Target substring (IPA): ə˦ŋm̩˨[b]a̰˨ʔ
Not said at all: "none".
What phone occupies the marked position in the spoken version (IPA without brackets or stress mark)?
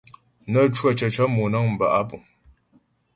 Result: b